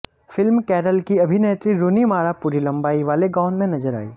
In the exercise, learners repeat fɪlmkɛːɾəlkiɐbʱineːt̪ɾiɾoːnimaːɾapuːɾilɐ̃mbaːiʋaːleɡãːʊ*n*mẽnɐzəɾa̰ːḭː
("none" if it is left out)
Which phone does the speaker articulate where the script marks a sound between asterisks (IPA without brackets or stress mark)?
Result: n